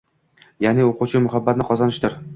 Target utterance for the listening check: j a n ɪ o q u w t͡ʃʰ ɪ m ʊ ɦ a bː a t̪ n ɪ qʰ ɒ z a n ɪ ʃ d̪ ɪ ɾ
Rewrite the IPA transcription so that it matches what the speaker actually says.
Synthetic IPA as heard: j a n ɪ o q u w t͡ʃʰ ɪ m ʊ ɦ a bː a t̪ n ɪ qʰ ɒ z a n ɪ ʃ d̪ ɪ ɾ